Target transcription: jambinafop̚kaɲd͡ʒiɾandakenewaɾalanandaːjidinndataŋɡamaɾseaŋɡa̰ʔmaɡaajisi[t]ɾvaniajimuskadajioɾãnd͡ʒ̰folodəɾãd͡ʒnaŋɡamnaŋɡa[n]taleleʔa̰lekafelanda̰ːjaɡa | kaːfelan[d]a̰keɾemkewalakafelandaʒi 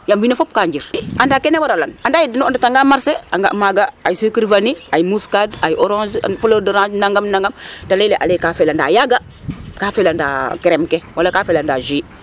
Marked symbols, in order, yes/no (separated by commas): no, no, yes